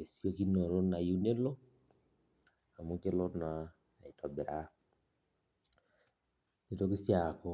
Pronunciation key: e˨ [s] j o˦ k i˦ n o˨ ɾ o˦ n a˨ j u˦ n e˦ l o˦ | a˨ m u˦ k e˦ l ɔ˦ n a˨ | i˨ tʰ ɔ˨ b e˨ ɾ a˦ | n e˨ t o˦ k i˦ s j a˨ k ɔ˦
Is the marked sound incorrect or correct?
correct